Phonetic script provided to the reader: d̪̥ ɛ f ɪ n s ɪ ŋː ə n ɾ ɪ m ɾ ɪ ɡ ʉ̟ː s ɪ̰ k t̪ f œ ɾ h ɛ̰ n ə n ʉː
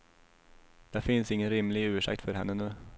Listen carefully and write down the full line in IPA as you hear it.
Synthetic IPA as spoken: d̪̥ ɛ f ɪ n s ɪ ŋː ə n ɾ ɪ m l ɪ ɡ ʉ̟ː ʂ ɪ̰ k t̪ f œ ɾ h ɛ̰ nː ə n ʉː

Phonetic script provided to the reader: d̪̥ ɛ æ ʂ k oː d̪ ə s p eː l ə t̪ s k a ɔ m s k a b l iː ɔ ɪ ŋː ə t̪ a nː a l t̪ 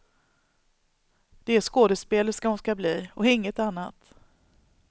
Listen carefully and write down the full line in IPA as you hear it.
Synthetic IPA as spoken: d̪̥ ɛ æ ʂ k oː d̪ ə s p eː l ə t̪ s k a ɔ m s k a b l iː ɔ ɪ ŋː ə t̪ a nː a t̪

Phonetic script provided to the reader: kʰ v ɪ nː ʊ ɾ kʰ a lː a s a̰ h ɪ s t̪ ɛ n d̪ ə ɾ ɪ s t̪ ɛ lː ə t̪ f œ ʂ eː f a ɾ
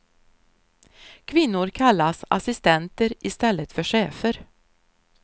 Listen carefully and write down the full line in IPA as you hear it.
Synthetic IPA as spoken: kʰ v ɪ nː ʊ ɾ kʰ a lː a s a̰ s ɪ s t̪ ɛ n t̪ ə ɾ ɪ s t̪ ɛ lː ə t̪ f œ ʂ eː f ə ɾ

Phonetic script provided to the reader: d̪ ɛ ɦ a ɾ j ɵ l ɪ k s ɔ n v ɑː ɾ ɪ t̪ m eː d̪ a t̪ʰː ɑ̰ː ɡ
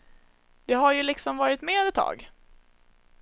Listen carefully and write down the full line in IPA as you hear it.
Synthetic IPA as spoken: d̪ ɛ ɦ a ɾ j ɵ l ɪ k s ɔ m v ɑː ɾ ɪ t̪ m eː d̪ ɛ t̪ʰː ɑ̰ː ɡ

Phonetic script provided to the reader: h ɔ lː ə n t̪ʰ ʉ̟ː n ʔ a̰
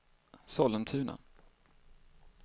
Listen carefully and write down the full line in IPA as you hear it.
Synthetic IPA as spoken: s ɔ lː ə n t̪ʰ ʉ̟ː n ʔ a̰

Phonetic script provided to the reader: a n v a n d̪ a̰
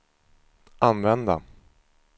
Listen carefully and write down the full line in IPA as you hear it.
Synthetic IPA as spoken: a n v ɛ n d̪ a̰

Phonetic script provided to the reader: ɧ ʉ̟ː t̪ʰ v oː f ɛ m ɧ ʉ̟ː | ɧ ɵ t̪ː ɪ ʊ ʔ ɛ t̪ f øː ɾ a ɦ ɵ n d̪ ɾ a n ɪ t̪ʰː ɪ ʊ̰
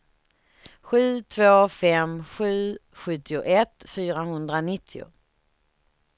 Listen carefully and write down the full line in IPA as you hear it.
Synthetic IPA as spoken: ɧ ʉ̟ː t̪ʰ v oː f ɛ m ɧ ʉ̟ː | ɧ ɵ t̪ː ɪ ʊ ʔ ɛ t̪ f yː ɾ a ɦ ɵ n d̪ ɾ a n ɪ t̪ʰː ɪ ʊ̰

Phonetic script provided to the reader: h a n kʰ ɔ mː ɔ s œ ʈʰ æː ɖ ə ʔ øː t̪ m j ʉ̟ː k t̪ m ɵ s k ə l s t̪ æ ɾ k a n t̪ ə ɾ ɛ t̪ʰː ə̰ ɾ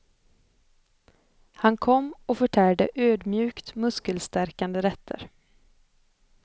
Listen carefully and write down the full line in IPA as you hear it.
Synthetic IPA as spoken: h a n kʰ ɔ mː ɔ f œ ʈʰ æː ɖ ə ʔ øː d̪ m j ʉ̟ː k t̪ m ɵ s k ə l s t̪ æ ɾ k a n d̪ ə ɾ ɛ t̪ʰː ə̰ ɾ

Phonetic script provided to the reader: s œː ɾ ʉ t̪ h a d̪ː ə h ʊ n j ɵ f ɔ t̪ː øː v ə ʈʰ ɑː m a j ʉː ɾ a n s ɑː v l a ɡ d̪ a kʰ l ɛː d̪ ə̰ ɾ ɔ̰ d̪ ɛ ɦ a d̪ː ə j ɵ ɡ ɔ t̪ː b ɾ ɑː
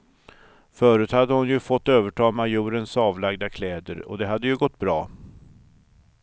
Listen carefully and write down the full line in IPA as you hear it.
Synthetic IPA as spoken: f œː ɾ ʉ t̪ h a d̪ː ə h ʊ n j ɵ f ɔ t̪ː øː v ə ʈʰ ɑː m a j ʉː ɾ ə n s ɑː v l a ɡ d̪ a kʰ l ɛː d̪ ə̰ ɾ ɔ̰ d̪ ɛ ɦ a d̪ː ə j ɵ ɡ ɔ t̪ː b ɾ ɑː

